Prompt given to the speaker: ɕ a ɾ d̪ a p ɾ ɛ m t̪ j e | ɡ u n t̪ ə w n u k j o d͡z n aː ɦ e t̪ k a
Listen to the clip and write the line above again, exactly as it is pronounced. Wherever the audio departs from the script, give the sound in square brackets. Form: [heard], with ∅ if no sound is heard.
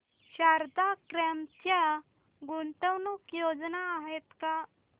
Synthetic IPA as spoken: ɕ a ɾ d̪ a [k] ɾ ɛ m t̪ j [a] | ɡ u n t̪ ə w n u k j o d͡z n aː ɦ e t̪ k a